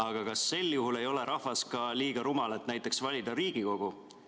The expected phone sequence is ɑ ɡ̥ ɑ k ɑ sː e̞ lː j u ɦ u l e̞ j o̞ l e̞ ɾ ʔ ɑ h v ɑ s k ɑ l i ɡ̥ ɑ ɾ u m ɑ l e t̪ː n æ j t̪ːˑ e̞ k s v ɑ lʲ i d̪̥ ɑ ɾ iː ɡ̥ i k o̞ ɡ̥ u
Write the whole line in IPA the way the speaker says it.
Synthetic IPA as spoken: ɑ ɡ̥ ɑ k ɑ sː e̞ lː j u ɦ u l e̞ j o̞ l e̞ ɾ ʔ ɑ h v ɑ s k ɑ l iː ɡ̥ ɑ ɾ u m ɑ l e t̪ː n æ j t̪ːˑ e̞ k s v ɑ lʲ i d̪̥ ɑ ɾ iː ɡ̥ i k o̞ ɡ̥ u